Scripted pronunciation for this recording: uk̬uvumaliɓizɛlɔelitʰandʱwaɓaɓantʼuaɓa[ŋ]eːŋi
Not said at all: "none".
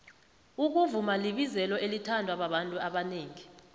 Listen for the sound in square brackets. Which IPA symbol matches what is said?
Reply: n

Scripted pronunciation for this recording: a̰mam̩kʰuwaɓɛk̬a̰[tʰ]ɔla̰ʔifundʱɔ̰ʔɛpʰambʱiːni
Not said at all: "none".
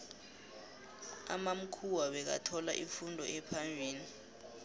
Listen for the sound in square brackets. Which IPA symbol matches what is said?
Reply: tʰ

